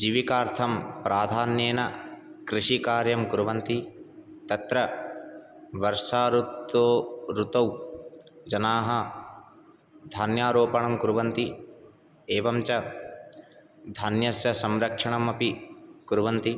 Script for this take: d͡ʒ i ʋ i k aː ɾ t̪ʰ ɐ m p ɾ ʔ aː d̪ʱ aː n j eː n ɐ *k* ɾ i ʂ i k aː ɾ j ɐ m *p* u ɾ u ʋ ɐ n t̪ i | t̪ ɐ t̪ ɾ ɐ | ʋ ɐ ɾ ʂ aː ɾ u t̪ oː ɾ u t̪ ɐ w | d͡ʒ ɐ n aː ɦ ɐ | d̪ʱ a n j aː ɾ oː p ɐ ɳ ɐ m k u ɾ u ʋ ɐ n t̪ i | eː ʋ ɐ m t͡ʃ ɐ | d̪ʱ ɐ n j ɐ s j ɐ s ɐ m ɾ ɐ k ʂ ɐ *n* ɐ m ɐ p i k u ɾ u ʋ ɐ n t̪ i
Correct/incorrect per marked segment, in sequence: correct, incorrect: k, incorrect: ɳ

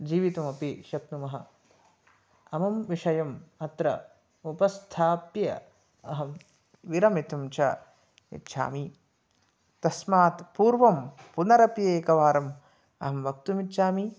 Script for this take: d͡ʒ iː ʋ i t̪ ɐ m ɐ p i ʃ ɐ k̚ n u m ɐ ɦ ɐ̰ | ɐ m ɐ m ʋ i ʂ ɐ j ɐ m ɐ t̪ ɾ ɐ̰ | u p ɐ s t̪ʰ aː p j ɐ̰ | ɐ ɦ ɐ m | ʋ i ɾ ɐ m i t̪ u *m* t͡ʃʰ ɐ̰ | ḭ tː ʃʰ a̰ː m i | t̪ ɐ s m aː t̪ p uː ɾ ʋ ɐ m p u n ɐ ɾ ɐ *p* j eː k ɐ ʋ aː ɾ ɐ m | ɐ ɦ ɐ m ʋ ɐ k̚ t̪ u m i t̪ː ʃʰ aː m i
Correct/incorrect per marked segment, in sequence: correct, correct

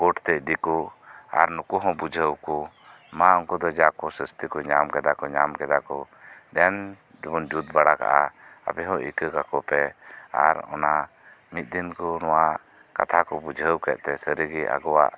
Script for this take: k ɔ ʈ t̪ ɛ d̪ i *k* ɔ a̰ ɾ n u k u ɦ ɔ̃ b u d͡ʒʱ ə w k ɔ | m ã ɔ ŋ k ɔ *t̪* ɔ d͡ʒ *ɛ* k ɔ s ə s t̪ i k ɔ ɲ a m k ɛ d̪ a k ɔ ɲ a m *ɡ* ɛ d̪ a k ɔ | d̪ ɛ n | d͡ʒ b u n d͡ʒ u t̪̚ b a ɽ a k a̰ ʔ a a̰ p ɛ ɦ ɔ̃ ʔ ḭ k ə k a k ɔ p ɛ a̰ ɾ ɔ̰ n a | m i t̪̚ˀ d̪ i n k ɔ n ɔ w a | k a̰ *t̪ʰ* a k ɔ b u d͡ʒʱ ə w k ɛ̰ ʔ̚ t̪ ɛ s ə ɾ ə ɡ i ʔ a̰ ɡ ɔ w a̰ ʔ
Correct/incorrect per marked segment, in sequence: correct, incorrect: d̪, incorrect: a, incorrect: k, correct

